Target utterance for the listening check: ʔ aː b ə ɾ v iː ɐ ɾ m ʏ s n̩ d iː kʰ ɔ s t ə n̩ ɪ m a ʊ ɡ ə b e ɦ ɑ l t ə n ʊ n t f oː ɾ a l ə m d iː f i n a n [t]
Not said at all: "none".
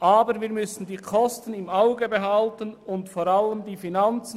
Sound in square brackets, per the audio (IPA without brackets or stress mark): t͡s